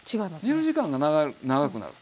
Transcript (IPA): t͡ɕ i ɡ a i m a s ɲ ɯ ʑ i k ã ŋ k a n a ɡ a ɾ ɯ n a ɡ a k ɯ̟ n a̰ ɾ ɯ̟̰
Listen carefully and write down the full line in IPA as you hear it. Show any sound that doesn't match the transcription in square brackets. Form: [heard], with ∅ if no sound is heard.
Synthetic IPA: t͡ɕ i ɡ a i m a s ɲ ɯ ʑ i k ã ŋ [ɡ] a n a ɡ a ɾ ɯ n a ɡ a k ɯ̟ n a̰ ɾ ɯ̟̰